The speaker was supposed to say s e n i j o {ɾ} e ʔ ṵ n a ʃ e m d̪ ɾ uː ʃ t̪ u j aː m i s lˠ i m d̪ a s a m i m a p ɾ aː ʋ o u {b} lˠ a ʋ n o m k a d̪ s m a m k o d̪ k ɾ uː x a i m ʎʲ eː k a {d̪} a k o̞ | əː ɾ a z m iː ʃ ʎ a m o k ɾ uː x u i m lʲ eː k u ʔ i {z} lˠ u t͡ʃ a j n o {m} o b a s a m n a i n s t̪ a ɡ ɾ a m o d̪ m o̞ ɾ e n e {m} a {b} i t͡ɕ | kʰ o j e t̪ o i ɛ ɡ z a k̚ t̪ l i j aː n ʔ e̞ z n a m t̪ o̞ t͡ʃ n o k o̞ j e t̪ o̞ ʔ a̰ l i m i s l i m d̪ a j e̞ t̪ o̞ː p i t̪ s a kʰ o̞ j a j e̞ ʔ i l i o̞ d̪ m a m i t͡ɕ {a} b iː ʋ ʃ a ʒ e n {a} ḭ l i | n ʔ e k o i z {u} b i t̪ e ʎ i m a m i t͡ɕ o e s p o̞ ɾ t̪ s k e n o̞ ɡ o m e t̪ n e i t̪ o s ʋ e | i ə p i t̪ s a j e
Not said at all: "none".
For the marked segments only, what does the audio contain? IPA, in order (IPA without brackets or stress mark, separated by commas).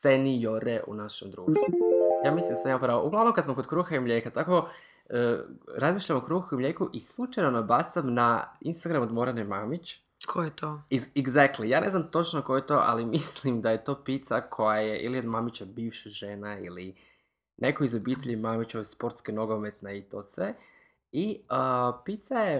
ɾ, ɡ, t̪, s, n, m, m, a, a, o